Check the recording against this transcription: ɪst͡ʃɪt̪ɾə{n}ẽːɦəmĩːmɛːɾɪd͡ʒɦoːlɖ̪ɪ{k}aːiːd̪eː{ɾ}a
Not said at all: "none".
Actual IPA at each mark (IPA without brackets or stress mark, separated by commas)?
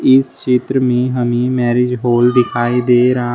m, kʰ, ɾ